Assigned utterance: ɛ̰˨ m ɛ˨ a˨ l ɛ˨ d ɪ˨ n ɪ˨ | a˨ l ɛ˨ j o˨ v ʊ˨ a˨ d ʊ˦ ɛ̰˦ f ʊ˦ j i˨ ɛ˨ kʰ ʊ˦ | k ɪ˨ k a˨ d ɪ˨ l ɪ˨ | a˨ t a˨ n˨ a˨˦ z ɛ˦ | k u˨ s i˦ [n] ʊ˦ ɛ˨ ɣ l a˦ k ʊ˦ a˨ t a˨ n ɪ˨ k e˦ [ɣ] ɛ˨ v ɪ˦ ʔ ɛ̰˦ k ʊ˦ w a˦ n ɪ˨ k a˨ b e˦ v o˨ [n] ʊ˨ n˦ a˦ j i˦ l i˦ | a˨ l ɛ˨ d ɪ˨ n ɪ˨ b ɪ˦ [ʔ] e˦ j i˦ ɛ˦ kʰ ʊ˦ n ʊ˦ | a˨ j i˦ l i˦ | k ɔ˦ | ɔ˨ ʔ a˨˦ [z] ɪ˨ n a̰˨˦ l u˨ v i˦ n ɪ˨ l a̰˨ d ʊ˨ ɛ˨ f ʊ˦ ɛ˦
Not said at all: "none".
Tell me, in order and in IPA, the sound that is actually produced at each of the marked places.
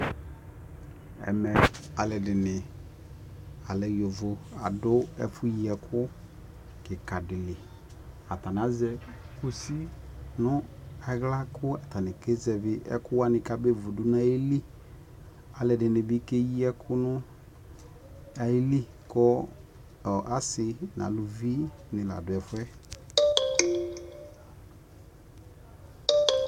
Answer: n, z, d, k, s

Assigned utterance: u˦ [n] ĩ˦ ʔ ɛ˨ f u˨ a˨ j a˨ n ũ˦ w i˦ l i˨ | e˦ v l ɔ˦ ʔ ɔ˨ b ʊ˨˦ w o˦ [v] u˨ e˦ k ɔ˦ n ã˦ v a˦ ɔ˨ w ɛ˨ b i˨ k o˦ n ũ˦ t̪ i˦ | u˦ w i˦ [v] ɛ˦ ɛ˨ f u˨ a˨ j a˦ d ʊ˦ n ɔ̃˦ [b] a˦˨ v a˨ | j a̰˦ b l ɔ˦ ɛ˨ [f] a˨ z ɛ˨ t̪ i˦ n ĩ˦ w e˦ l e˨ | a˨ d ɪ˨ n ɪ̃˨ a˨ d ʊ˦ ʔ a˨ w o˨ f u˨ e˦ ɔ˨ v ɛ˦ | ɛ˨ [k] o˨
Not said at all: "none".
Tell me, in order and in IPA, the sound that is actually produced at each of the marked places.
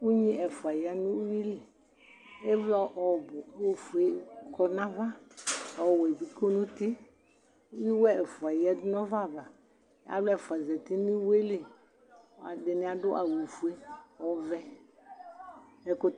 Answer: ɲ, f, w, v, f, k

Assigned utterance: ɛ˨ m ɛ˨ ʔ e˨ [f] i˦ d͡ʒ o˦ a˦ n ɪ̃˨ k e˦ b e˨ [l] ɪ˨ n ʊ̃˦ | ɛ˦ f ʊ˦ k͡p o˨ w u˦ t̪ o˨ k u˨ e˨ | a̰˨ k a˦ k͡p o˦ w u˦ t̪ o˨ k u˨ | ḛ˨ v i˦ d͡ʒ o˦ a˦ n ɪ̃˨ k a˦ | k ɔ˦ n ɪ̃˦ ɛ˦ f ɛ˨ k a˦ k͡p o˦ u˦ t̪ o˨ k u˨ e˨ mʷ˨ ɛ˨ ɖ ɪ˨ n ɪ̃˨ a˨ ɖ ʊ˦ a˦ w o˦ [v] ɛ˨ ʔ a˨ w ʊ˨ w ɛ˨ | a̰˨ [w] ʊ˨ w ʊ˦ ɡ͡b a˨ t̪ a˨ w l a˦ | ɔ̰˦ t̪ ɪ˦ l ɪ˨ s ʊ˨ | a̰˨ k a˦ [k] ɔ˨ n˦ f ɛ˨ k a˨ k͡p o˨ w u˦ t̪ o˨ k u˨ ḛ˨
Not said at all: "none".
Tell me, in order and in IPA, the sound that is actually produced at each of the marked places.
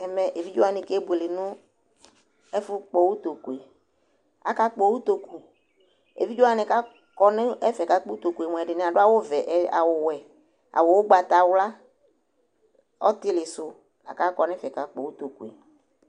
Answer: v, l, v, w, k

